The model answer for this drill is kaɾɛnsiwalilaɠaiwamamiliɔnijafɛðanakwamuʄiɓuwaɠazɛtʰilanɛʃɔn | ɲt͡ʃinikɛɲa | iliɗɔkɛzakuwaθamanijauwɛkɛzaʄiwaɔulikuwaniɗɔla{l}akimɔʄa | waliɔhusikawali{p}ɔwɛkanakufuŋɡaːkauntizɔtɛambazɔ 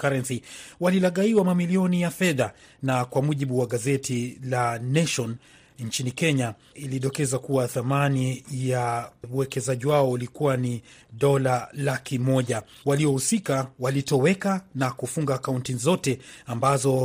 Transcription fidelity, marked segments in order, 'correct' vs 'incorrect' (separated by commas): correct, incorrect